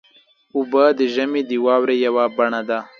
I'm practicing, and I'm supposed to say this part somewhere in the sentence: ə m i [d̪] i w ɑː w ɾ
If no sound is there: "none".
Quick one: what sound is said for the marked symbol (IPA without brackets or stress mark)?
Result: d̪